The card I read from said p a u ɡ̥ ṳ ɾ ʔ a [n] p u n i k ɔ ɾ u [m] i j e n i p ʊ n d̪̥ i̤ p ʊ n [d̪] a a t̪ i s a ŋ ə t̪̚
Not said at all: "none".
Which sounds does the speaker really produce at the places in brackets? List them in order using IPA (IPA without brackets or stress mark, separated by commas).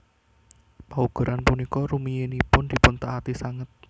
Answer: n, m, t̪